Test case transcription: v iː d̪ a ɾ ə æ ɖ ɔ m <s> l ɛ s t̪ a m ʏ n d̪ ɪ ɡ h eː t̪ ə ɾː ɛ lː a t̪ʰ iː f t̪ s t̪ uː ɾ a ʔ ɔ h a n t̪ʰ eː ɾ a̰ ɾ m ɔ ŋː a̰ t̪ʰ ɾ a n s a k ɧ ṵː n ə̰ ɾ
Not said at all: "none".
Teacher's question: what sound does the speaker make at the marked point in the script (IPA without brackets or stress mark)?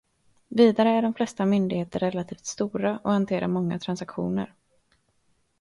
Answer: f